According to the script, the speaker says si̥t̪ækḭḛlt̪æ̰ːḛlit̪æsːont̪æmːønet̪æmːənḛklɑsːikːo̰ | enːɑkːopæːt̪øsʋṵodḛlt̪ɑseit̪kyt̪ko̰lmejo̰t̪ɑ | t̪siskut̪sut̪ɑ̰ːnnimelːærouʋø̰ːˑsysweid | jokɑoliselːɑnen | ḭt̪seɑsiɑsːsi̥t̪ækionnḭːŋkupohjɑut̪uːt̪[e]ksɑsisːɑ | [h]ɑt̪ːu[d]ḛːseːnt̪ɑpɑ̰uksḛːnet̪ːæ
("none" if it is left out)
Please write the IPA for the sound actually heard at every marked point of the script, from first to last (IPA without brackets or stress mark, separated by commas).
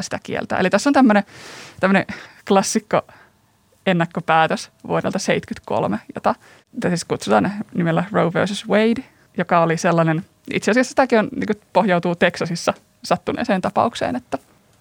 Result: e, s, n